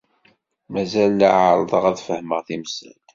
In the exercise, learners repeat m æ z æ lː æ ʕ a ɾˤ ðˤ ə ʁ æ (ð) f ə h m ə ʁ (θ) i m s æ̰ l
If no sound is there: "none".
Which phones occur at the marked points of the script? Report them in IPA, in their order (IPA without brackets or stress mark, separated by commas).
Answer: ð, θ